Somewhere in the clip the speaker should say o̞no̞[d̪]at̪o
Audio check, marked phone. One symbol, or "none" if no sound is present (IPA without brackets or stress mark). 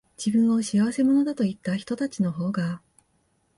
d̪